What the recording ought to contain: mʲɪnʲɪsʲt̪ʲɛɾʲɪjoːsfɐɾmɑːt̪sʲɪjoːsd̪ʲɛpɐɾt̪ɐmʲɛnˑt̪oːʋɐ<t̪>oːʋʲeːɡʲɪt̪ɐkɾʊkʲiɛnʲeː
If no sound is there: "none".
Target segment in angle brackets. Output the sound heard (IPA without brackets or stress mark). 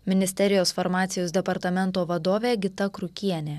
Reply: d̪